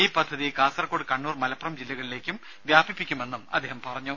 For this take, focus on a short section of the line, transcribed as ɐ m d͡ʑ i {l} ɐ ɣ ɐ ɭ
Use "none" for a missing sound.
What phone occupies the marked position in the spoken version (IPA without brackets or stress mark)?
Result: lː